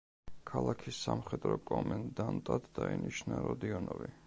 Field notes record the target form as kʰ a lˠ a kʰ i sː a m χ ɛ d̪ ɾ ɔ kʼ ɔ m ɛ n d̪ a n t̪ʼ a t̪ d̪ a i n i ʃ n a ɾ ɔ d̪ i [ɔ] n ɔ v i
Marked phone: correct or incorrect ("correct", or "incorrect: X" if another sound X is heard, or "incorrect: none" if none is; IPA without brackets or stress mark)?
correct